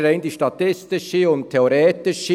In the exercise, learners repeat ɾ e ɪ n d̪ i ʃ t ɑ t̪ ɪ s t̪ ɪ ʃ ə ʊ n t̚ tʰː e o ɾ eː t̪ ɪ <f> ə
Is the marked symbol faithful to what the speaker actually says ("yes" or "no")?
no